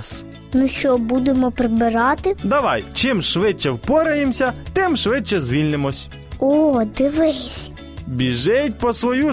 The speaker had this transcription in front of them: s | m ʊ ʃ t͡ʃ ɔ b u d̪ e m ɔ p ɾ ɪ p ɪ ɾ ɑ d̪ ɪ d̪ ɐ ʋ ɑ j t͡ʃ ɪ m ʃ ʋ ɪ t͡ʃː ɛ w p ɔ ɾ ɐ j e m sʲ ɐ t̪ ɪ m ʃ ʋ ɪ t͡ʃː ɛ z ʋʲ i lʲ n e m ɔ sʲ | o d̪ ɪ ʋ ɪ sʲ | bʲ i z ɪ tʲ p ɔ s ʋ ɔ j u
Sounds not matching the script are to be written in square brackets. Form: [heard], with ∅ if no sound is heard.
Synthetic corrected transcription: s | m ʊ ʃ t͡ʃ ɔ b u d̪ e m ɔ p ɾ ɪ [b] ɪ ɾ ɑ [t̪] ɪ d̪ ɐ ʋ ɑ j t͡ʃ ɪ m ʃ ʋ ɪ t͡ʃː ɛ w p ɔ ɾ ɐ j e m sʲ ɐ t̪ ɪ m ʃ ʋ ɪ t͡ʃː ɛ z ʋʲ i lʲ n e m ɔ sʲ | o d̪ ɪ ʋ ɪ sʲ | bʲ i [ʒ] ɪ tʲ p ɔ s ʋ ɔ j u